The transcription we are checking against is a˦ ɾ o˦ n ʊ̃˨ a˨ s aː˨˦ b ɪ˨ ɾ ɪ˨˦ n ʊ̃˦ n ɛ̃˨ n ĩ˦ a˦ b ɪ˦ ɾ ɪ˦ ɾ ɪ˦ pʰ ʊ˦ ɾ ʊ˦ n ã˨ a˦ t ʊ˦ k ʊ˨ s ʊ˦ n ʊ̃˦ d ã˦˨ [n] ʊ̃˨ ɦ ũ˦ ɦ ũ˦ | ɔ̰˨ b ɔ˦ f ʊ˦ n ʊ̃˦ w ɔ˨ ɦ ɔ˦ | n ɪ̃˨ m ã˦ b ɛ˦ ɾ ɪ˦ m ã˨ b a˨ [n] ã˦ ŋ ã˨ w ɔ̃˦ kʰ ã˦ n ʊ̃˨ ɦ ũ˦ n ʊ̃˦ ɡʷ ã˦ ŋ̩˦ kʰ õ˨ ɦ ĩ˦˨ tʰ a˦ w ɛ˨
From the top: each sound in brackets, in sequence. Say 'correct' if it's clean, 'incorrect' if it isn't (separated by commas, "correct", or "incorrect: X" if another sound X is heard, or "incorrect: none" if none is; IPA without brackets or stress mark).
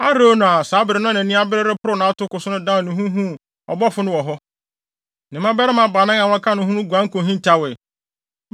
correct, correct